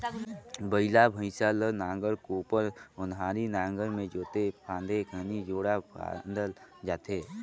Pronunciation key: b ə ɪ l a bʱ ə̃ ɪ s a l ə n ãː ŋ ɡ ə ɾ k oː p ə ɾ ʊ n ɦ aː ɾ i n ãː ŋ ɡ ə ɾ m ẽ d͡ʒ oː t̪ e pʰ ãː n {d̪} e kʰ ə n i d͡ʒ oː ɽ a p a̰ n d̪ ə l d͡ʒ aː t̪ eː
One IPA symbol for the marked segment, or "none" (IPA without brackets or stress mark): d̪